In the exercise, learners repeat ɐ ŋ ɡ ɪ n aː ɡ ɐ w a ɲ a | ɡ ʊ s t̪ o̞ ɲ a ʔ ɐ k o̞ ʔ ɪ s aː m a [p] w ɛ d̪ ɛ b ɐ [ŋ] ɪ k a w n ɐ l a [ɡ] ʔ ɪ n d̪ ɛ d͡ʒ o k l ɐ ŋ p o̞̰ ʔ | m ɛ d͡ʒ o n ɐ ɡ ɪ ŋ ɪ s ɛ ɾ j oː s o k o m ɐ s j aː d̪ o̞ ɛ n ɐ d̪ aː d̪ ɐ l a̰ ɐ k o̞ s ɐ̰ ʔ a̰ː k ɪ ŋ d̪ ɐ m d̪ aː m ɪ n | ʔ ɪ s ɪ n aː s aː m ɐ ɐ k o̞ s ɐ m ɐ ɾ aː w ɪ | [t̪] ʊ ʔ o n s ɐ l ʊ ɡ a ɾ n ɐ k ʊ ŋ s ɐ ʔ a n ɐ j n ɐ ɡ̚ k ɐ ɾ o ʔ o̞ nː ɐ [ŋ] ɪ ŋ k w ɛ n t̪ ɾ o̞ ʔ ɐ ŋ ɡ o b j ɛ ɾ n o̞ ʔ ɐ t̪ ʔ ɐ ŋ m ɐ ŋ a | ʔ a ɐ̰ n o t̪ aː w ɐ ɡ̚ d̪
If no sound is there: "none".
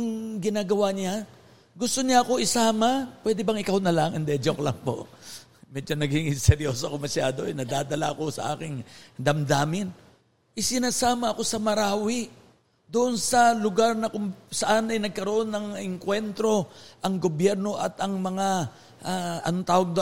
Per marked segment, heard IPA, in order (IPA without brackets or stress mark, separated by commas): p, ŋ, ŋ, d̪, ŋ